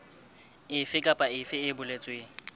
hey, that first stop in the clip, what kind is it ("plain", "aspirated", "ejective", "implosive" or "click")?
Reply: ejective